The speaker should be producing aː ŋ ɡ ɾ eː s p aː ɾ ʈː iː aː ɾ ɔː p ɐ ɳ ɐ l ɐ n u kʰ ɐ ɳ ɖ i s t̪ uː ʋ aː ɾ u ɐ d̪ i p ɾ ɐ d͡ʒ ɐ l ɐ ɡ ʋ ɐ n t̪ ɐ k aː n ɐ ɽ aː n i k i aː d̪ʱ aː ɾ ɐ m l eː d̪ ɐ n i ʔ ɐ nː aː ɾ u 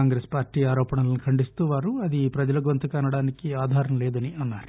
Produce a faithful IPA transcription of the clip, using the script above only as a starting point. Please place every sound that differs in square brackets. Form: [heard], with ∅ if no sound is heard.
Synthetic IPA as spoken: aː ŋ ɡ ɾ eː s p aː ɾ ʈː iː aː ɾ ɔː p ɐ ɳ ɐ l ɐ n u kʰ ɐ ɳ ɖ i s t̪ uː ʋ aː ɾ u ɐ d̪ i p ɾ ɐ d͡ʒ ɐ l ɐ ɡ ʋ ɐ n t̪ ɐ k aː n ɐ ɽ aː n i k i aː d̪ʱ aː ɾ ɐ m l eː d̪ ɐ n i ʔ ɐ nː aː ɾ u